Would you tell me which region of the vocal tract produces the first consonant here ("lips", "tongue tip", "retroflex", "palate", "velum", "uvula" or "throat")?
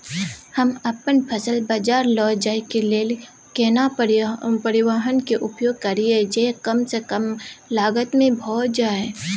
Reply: throat